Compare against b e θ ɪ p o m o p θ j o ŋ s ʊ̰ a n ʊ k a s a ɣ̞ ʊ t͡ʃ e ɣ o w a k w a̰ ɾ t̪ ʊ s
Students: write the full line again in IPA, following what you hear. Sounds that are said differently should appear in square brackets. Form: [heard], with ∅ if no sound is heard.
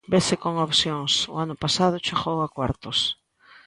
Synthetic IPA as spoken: b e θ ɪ [k] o [ŋ] o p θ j o ŋ s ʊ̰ a n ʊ [p] a s a [ð̞] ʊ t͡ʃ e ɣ o w a k w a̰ ɾ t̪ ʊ s

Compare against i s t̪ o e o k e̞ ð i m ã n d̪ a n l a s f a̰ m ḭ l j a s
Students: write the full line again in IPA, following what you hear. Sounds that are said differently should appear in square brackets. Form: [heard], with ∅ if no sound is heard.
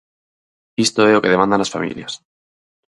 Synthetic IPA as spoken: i s t̪ o e o k e̞ ð [e] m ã n d̪ a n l a s f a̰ m ḭ l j a s

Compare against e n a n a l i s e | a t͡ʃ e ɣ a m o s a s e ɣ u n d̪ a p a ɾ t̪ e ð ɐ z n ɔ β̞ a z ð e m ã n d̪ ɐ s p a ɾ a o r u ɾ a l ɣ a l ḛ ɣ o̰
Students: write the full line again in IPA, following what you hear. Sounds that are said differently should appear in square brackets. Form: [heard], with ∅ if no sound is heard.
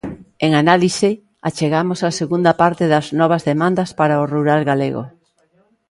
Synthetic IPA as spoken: e [ŋ] a n a l i s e | a t͡ʃ e ɣ a m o s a s e ɣ u n d̪ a p a ɾ t̪ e ð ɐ z n ɔ β̞ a z ð e m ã n d̪ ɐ s p a ɾ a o r u ɾ a l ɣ a l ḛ ɣ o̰

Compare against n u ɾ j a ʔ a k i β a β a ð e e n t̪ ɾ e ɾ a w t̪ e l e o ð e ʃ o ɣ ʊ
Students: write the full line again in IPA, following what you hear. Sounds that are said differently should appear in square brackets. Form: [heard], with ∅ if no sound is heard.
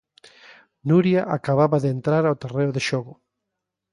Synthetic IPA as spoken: n u ɾ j a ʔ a k [a] β a β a ð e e n t̪ ɾ [a] ɾ a w t̪ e [r] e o ð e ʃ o ɣ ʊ

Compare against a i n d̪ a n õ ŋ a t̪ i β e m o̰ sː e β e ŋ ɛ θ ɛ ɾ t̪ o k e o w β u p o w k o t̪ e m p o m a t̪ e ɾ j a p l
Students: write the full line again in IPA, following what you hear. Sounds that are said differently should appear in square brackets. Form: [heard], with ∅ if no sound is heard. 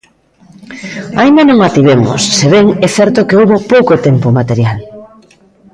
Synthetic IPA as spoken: a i n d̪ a n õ ŋ a t̪ i β e m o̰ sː e β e ŋ ɛ θ ɛ ɾ t̪ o k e o w β [o] p o w k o t̪ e m p o m a t̪ e ɾ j a [∅] l

